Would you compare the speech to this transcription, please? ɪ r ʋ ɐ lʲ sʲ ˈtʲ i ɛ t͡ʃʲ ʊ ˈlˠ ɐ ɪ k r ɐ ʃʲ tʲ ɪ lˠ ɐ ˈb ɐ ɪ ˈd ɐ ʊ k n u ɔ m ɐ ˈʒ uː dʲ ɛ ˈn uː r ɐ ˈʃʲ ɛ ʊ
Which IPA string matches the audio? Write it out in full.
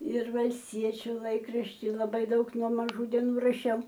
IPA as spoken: ɪ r ʋ ɐ lʲ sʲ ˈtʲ i ɛ t͡ʃʲ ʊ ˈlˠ ɐ ɪ k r ɐ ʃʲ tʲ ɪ lˠ ɐ ˈb ɐ ɪ ˈd ɐ ʊ k n u ɔ m ɐ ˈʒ uː dʲ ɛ ˈn uː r ɐ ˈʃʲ ɛ ʊ